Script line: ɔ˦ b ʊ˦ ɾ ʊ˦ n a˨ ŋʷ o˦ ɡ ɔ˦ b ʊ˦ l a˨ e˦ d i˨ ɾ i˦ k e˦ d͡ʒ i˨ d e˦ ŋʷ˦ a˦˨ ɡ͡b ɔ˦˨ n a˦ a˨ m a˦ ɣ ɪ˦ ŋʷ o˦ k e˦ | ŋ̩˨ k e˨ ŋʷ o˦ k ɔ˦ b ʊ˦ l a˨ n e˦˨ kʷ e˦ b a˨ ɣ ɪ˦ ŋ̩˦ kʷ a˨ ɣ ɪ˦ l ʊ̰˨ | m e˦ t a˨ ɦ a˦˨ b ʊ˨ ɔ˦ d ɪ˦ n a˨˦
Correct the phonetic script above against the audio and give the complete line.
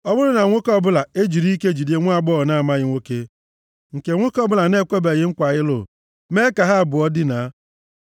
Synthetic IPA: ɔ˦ b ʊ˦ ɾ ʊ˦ n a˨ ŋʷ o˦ k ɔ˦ b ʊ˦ l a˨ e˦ d͡ʒ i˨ ɾ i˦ k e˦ d͡ʒ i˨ d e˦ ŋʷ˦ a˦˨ ɡ͡b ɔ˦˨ n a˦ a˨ m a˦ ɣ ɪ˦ ŋʷ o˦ k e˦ | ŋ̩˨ k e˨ ŋʷ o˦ k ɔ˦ b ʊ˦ l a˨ n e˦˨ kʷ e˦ b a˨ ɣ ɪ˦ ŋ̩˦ kʷ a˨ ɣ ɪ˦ l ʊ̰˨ | m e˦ k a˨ ɦ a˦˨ b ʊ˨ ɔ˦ d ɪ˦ n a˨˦

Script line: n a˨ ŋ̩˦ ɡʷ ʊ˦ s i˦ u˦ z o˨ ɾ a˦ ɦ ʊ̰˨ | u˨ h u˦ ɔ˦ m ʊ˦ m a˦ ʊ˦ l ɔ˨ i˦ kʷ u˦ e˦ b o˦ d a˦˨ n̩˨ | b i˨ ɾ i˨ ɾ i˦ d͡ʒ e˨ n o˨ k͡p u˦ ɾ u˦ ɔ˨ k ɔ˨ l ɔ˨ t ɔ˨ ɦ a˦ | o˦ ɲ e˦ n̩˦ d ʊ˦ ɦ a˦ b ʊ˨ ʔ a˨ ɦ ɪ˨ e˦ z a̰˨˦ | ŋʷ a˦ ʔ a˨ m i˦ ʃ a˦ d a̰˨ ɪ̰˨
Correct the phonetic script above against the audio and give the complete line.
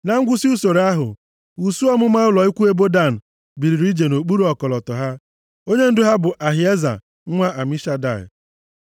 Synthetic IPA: n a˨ ŋ̩˦ ɡʷ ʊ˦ s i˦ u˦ s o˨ ɾ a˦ ɦ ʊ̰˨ | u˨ s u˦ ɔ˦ m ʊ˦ m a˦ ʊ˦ l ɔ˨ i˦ kʷ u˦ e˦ b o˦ d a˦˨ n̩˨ | b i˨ ɾ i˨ ɾ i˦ d͡ʒ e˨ n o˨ k͡p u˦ ɾ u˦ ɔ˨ k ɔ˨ l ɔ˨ t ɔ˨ ɦ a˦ | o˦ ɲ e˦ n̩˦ d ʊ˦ ɦ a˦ b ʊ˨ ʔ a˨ ɦ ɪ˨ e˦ z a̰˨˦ | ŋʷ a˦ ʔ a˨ m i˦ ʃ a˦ d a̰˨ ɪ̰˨

